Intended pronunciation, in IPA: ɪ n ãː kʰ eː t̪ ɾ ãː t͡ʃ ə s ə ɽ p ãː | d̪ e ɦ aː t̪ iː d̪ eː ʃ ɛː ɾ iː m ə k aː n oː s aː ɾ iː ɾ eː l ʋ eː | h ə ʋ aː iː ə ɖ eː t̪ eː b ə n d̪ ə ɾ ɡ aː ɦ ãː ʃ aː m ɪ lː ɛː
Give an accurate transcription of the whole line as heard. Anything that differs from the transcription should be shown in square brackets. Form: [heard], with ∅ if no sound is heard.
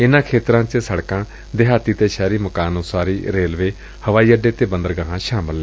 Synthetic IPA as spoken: ɪ n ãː kʰ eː t̪ ɾ ãː t͡ʃ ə s ə ɽ [k] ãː | d̪ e ɦ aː t̪ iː [t̪] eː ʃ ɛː ɾ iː m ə k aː n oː s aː ɾ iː ɾ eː l ʋ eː | h ə ʋ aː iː ə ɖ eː t̪ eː b ə n d̪ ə ɾ ɡ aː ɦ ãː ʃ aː m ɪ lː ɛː